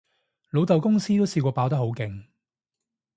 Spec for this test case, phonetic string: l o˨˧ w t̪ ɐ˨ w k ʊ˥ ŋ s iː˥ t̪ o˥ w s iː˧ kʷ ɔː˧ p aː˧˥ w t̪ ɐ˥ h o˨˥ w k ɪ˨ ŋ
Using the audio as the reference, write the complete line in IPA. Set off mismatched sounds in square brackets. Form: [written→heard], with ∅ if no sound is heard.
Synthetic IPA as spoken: l o˨˧ w t̪ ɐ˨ w k ʊ˥ ŋ s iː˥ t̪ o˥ w s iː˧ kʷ ɔː˧ p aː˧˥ w t̪ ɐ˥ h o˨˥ w k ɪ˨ ŋ